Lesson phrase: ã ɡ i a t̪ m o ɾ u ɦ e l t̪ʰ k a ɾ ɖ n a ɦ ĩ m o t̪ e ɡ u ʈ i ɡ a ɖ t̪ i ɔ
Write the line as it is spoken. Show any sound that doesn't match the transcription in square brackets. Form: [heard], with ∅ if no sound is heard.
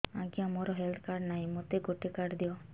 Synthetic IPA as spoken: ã ɡ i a [∅] m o ɾ [ɔ] ɦ e l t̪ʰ k a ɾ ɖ n a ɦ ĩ m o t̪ e ɡ [o] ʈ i [k] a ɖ [d̪] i ɔ